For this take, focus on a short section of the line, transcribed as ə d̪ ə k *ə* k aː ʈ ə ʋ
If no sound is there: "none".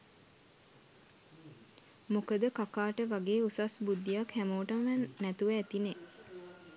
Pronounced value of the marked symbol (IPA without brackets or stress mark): a